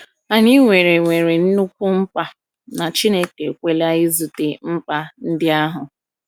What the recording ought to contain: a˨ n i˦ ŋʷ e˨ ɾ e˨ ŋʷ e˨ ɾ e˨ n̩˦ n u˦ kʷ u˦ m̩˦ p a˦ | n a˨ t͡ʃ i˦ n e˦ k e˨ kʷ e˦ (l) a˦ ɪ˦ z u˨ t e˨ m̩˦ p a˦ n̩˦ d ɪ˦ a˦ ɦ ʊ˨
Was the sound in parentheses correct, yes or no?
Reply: yes